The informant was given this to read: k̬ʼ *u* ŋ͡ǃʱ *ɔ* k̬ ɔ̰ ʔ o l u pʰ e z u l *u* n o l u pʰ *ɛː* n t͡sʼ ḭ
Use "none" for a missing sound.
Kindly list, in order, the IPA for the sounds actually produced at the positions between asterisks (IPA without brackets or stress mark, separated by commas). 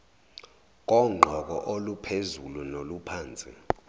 ɔ, ɔ, u, aː